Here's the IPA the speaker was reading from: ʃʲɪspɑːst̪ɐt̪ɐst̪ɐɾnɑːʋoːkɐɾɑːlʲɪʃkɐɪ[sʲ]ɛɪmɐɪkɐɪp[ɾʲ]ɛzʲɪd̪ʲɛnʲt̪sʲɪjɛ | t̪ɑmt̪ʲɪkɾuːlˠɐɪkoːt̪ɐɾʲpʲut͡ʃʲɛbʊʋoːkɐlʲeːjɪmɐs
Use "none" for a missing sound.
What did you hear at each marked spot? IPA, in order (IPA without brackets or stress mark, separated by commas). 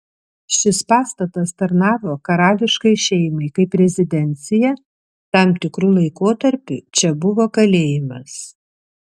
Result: ʃʲ, ɾʲ